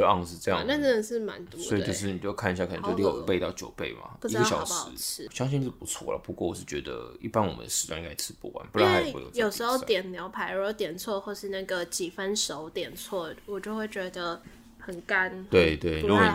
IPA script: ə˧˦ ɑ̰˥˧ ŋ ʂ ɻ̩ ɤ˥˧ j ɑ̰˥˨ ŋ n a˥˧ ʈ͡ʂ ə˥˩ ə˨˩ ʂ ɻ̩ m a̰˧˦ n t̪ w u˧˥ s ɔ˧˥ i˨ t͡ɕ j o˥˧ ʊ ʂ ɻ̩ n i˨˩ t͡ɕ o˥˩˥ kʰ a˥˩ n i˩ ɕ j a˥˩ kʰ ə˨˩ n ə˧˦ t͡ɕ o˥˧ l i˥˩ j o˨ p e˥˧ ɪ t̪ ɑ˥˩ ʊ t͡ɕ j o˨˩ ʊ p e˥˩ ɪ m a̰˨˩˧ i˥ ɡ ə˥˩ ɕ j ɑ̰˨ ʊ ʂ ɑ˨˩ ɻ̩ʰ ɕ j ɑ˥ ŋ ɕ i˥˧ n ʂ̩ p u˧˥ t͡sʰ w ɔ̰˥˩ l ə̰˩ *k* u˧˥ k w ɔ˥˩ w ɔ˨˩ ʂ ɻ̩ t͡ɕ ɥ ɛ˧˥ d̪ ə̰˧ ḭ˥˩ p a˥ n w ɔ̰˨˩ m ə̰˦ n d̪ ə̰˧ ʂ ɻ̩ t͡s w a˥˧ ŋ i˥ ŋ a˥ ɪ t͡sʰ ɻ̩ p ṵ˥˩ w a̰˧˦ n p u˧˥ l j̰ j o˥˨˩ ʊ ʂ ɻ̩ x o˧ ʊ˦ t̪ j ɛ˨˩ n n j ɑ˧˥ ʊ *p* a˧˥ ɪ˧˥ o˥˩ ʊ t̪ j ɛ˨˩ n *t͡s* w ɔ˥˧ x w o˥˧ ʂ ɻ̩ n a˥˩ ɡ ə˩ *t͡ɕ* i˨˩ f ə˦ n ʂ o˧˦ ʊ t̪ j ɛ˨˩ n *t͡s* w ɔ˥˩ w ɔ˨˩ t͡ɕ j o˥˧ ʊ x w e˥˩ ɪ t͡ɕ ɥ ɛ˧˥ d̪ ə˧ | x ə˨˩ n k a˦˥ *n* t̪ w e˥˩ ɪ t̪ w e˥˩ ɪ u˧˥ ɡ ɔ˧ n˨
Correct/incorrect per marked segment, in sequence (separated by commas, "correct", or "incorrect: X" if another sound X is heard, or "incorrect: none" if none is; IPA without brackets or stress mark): incorrect: p, incorrect: pʰ, incorrect: t͡sʰ, correct, incorrect: t͡sʰ, correct